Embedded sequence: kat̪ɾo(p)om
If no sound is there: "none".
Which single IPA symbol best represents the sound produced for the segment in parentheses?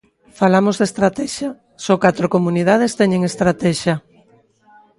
k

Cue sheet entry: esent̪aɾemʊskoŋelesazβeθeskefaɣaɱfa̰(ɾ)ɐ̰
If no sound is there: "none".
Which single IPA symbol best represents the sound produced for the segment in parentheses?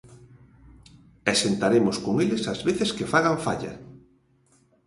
ʎ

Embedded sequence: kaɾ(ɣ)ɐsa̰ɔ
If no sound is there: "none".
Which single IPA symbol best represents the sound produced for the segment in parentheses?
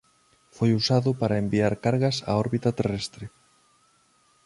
ɣ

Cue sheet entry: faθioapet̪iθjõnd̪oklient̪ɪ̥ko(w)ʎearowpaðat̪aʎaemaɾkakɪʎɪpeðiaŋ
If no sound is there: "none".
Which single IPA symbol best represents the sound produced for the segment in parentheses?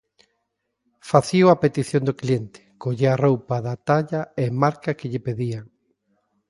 none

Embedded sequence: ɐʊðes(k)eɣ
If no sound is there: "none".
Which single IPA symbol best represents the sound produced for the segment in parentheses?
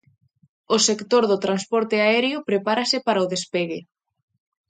p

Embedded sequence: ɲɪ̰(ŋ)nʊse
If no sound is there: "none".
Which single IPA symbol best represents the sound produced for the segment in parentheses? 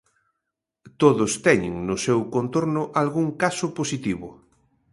ŋ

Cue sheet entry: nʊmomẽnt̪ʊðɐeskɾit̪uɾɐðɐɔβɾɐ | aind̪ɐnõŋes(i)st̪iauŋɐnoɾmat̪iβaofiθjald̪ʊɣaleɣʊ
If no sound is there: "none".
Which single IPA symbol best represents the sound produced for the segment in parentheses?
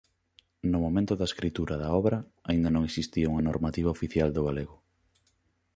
i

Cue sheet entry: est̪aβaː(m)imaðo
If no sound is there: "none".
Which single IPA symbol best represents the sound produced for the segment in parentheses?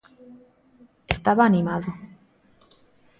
n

